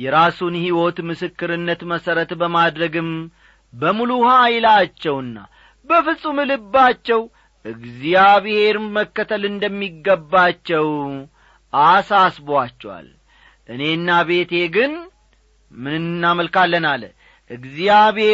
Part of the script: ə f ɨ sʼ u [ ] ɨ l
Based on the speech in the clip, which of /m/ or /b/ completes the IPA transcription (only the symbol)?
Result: m